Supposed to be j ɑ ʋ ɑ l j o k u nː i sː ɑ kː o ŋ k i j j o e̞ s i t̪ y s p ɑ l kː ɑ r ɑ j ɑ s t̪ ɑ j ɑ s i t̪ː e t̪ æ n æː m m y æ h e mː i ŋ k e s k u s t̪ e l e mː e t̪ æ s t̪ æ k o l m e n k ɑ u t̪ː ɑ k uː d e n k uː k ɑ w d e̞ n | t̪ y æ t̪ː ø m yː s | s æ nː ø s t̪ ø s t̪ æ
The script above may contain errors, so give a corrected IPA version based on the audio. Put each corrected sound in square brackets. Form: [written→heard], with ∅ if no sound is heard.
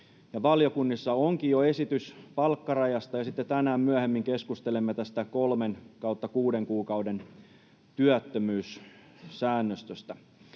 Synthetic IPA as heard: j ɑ ʋ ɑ l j o k u nː i sː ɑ [kː→∅] o ŋ k i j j o e̞ s i t̪ y s p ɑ l kː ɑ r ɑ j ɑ s t̪ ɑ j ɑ s i t̪ː e t̪ æ n æː m m y æ h e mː i ŋ k e s k u s t̪ e l e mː e t̪ æ s t̪ æ k o l m e n k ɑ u t̪ː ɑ k uː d e [n→ŋ] k uː k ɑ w d e̞ n | t̪ y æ t̪ː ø m yː s | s [æ→æː] nː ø s t̪ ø s t̪ æ

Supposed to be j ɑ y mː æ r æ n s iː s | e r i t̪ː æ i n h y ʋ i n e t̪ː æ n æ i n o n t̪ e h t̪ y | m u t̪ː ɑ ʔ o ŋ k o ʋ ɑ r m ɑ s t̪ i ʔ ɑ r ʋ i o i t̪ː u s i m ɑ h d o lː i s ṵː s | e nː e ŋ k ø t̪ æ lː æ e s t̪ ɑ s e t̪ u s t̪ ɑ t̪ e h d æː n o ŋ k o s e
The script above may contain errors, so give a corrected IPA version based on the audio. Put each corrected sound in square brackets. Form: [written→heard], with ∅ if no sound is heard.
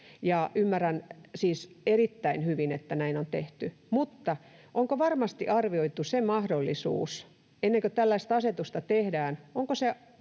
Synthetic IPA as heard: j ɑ y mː æ r æ n s iː s | e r i t̪ː æ i n h y ʋ i n e t̪ː æ n æ i n o n t̪ e h t̪ y | m u t̪ː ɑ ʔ o ŋ k o ʋ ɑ r m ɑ s t̪ i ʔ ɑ r ʋ i o i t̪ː u s [i→e] m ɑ h d o lː i s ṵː s | e nː e ŋ k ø t̪ æ lː æ [e→i] s t̪ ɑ s e t̪ u s t̪ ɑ t̪ e h d æː n o ŋ k o s e

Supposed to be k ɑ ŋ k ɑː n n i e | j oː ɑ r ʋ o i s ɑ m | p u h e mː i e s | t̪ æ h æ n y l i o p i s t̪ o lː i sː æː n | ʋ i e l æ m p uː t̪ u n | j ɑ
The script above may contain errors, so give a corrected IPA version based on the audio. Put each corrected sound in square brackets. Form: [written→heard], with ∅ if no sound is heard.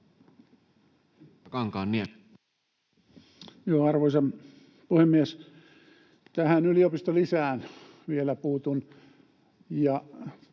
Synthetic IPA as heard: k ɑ ŋ k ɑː n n i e | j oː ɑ r ʋ o i s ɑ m | p u h e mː i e s | t̪ æ h æ n y l i o p i s t̪ o [lː→l] i [sː→s] æː n | ʋ i e l æ [m→∅] p uː t̪ u n | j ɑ

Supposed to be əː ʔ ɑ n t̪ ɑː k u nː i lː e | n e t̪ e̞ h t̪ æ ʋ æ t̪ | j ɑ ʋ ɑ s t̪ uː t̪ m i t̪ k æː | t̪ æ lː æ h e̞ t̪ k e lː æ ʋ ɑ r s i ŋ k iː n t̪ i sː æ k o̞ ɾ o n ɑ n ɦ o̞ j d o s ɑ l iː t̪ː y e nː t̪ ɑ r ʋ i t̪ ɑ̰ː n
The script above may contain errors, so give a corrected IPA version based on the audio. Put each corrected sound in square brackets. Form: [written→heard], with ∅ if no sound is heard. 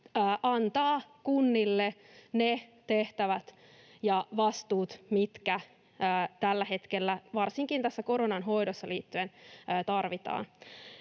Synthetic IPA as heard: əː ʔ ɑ n t̪ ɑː k u nː i lː e | n e t̪ e̞ h t̪ æ ʋ æ t̪ | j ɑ ʋ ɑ s t̪ uː t̪ m i t̪ k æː | t̪ æ lː æ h e̞ t̪ k e lː æ ʋ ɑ r s i ŋ k [iː→i] n t̪ [i→æ] sː æ k o̞ ɾ o n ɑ n ɦ o̞ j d o [s→sː] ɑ l iː t̪ː y e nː t̪ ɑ r ʋ i t̪ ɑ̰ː n

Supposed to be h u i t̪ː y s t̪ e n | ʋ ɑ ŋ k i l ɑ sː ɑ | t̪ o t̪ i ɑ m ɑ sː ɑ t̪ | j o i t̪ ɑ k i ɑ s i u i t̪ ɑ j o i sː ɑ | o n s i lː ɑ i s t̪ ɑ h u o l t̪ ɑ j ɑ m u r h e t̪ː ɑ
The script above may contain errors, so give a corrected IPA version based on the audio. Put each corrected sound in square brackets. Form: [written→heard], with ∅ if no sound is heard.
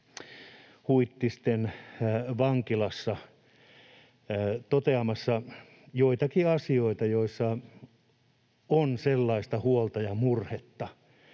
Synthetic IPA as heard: h u i t̪ː [y→i] s t̪ e n | ʋ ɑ ŋ k i l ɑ sː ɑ | t̪ o t̪ [i→e] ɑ m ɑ sː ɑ [t̪→∅] | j o i t̪ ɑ k i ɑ s i [u→o] i t̪ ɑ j o i sː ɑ | o n s [i→e] lː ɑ i s t̪ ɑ h u o l t̪ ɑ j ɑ m u r h e t̪ː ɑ

